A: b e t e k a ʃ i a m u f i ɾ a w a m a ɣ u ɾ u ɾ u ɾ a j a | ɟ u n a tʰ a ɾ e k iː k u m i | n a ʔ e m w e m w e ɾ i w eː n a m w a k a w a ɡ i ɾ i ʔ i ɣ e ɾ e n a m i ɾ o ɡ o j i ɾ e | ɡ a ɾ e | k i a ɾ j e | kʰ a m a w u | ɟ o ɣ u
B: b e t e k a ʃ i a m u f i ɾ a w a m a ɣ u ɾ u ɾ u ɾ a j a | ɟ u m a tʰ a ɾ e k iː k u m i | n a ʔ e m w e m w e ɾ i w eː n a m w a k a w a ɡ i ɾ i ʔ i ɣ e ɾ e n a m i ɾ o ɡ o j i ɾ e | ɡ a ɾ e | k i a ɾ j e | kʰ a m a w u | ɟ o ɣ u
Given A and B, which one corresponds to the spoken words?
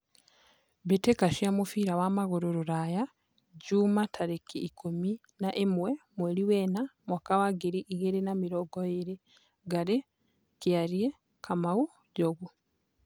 B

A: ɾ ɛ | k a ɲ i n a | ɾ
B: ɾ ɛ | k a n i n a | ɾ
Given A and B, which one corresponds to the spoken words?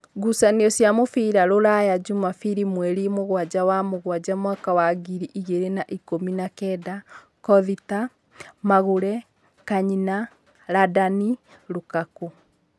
A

